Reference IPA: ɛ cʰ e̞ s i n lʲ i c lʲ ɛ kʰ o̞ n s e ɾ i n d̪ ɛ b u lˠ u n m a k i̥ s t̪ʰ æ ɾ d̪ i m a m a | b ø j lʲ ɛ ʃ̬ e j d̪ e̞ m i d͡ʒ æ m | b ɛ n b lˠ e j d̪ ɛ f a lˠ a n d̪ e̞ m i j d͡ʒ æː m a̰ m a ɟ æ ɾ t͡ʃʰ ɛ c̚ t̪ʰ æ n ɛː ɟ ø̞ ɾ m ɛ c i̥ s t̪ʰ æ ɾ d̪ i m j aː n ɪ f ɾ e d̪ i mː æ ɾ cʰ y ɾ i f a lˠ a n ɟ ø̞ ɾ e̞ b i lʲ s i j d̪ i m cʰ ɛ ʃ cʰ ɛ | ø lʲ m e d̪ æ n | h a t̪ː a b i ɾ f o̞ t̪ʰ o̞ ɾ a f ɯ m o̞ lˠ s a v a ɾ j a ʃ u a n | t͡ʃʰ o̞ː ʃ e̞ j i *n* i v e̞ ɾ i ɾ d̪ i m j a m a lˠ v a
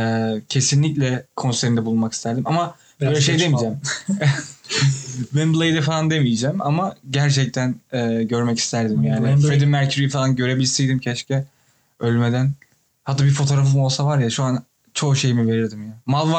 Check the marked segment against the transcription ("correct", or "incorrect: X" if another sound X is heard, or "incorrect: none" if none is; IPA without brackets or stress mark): incorrect: m